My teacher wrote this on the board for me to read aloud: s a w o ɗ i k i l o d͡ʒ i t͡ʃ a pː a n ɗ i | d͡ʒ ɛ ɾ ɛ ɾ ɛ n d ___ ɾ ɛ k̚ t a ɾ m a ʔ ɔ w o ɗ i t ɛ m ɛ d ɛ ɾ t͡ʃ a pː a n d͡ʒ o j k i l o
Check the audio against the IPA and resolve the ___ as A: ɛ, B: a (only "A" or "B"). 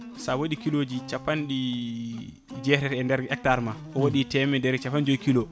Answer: A